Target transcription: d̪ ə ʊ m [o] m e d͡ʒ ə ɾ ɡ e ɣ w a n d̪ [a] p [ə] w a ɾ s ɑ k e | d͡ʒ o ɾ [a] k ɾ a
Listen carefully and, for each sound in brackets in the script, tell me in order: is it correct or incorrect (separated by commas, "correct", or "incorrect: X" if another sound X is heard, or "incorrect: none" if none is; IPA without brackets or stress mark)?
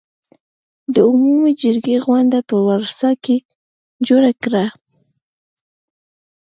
incorrect: u, correct, correct, correct